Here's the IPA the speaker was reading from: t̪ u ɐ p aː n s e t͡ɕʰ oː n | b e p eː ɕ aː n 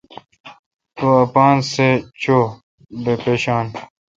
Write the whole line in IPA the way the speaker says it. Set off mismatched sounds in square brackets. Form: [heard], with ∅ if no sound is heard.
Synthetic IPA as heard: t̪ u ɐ p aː n s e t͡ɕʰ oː [∅] | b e p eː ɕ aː n